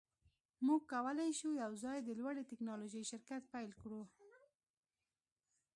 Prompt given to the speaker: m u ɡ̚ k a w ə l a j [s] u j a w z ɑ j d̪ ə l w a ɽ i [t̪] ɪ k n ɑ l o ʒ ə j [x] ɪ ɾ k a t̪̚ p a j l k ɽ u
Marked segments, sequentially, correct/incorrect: incorrect: ʃ, correct, incorrect: ʃ

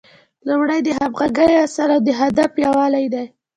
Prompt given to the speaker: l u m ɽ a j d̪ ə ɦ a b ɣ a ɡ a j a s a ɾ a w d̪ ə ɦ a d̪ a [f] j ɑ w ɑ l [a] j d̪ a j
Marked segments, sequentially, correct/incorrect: correct, correct

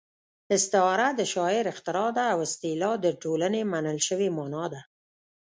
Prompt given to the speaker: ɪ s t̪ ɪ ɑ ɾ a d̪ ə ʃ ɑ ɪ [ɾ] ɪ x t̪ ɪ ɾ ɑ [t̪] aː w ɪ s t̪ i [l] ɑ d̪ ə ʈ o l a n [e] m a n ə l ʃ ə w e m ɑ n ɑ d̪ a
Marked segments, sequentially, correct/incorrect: correct, incorrect: d̪, correct, correct

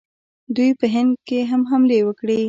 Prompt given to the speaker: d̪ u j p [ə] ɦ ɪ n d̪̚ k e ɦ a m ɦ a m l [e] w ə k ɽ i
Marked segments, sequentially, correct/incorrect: correct, correct

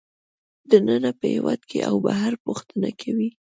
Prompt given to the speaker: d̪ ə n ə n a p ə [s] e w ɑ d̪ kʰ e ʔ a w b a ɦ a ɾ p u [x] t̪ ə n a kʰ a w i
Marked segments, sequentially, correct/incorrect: incorrect: h, correct

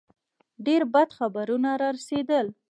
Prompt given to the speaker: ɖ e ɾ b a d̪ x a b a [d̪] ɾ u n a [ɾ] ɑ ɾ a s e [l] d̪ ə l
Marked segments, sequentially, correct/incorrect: incorrect: none, correct, incorrect: none

